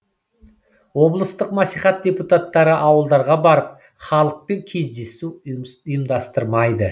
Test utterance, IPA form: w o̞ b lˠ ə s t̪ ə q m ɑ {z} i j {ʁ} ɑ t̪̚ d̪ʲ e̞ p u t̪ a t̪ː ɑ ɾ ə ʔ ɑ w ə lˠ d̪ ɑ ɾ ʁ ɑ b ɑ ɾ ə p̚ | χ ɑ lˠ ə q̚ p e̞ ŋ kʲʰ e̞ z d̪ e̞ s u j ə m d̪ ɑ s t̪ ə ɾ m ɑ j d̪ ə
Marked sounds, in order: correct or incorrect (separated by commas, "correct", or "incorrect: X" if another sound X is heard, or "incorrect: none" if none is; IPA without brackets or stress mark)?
incorrect: s, incorrect: χ